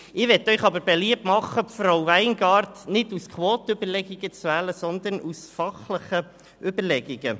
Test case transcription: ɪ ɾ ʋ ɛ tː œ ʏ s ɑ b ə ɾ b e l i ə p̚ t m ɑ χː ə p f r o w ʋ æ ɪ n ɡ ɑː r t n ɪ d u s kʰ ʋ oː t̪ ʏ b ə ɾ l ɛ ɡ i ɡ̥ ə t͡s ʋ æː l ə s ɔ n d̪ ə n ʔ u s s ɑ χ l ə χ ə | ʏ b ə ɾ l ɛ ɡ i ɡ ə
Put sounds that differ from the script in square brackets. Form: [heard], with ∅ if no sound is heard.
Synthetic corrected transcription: ɪ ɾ ʋ ɛ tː œ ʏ [χ] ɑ b ə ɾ b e l i ə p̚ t m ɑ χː ə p f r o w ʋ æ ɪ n ɡ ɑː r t n ɪ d u s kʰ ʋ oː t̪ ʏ b ə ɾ l ɛ ɡ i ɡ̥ ə t͡s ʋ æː l ə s ɔ n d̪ ə n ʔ u s [f] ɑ χ l ə χ ə | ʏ b ə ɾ l ɛ ɡ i ɡ ə

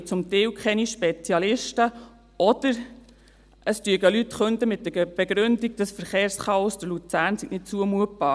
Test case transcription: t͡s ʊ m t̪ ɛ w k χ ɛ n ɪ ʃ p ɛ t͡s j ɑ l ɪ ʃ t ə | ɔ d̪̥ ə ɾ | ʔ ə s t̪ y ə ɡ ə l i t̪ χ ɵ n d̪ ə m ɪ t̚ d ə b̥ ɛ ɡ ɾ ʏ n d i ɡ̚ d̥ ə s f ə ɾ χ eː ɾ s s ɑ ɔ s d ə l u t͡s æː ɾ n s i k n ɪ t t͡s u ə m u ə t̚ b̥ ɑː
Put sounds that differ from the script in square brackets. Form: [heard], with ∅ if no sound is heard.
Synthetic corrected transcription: t͡s ʊ m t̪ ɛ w k χ ɛ n [i] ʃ p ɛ t͡s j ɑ l ɪ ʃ t ə | ɔ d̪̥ ə ɾ | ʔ ə s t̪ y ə ɡ ə l [y] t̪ χ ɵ n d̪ ə m ɪ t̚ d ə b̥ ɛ ɡ ɾ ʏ n d i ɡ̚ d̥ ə s f ə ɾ χ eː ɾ s [χ] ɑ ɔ s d ə l u t͡s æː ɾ n s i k n ɪ t t͡s u ə m u ə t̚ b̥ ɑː

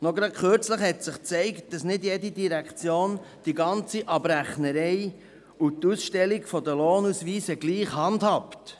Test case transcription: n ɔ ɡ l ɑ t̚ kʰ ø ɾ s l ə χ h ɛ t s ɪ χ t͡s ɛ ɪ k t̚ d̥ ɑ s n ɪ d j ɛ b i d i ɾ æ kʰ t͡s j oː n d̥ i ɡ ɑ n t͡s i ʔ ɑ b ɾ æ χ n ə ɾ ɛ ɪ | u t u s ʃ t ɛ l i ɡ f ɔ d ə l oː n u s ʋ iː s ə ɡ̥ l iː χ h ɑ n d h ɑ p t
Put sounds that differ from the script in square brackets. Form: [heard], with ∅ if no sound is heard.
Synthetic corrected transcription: n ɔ ɡ [ɾ] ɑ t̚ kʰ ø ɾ [t͡s] l ə χ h ɛ t s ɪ χ t͡s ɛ ɪ k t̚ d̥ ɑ s n ɪ d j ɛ [d] i d i ɾ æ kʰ t͡s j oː n d̥ i ɡ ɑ n t͡s i ʔ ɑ b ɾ æ χ n ə ɾ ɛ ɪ | u t u s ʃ t ɛ l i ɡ f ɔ d ə l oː n u s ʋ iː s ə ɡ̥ l iː χ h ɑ n d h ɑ p t

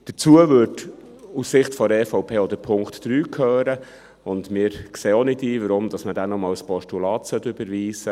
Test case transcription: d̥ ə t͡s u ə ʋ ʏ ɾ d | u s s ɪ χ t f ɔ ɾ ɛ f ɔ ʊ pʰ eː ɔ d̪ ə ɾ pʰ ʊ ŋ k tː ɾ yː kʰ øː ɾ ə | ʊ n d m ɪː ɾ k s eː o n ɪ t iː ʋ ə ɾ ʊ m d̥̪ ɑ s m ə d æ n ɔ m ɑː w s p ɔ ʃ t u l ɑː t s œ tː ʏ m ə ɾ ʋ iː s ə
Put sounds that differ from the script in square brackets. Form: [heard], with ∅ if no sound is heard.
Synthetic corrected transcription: d̥ ə t͡s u ə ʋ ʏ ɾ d | u s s ɪ χ t f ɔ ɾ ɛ f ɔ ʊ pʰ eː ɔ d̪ ə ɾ pʰ ʊ ŋ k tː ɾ yː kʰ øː ɾ ə | ʊ n d m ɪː ɾ k s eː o n ɪ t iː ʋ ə ɾ ʊ m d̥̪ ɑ s m ə d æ n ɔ m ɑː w s p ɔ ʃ t u l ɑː t s œ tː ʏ [b] ə ɾ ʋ iː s ə

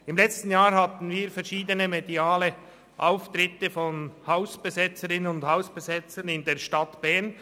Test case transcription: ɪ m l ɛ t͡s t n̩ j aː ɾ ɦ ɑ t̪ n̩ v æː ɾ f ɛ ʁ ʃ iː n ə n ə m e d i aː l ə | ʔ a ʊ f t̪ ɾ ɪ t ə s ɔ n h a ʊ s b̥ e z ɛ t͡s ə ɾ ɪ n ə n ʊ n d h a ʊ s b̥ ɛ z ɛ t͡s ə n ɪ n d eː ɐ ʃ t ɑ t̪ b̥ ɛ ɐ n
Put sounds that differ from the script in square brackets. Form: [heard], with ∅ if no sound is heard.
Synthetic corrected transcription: ɪ m l ɛ t͡s t n̩ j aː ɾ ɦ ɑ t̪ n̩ v [iː] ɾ f ɛ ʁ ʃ iː [d] ə n ə m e d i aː l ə | ʔ a ʊ f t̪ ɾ ɪ t ə [f] ɔ n h a ʊ s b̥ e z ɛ t͡s ə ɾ ɪ n ə n ʊ n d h a ʊ s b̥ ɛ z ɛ t͡s ə n ɪ n d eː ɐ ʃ t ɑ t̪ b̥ ɛ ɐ n

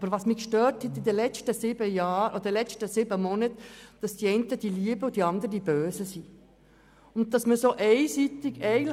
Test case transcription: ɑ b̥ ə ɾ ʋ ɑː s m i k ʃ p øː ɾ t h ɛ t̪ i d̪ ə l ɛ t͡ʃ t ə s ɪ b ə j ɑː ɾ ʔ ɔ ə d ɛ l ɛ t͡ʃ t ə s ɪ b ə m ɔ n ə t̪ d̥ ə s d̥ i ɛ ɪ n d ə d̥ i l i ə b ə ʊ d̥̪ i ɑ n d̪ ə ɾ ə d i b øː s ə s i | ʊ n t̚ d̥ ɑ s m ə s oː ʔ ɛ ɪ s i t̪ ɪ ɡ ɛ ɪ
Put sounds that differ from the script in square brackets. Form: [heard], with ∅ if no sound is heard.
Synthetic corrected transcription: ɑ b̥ ə ɾ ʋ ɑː s m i k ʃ [t] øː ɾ t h ɛ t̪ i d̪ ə l ɛ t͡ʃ t ə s ɪ b ə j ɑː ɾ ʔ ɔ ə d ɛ l ɛ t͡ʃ t ə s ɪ b ə m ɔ n ə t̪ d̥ [ɑ] s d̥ i ɛ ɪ n [t] ə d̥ i l i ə b ə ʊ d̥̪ i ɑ n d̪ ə ɾ ə d i b øː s ə s i | ʊ n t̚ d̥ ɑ s m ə s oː ʔ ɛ ɪ s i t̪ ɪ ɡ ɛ ɪ

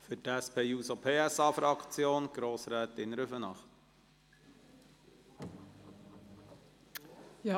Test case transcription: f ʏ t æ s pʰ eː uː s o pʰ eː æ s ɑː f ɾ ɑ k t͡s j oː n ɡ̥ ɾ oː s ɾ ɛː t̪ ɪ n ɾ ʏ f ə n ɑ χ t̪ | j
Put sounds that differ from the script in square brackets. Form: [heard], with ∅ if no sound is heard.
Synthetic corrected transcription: f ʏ t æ s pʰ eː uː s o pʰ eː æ s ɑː f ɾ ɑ k t͡s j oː n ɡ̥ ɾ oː s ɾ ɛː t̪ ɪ n ɾ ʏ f ə n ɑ χ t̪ | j

